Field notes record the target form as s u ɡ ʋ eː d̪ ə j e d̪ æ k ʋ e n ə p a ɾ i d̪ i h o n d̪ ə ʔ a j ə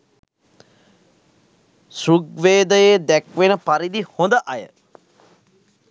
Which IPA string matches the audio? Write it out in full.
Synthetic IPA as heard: s u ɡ ʋ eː d̪ ə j e d̪ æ k ʋ e n ə p a ɾ i d̪ i h o n d̪ ə ʔ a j ə